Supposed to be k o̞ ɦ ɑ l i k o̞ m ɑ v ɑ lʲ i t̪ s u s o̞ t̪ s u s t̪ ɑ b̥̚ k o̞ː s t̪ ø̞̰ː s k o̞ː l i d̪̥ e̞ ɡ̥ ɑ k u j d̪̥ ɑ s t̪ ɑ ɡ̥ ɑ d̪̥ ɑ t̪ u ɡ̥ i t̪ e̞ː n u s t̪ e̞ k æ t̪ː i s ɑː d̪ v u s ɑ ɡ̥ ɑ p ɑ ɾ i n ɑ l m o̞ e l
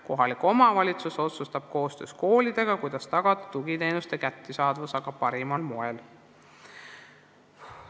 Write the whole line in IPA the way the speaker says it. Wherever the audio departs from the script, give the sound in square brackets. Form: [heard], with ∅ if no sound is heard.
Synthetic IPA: k o̞ ɦ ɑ l i k o̞ m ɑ v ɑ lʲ i t̪ s u s o̞ t̪ s u s t̪ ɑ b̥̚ k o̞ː s t̪ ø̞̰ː s k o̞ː l i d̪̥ e̞ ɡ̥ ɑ k u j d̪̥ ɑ s t̪ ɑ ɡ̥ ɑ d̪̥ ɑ t̪ u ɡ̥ i t̪ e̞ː n u s t̪ e̞ k æ t̪ː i s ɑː d̪ v u s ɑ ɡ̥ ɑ p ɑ ɾ i [m] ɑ l m o̞ e l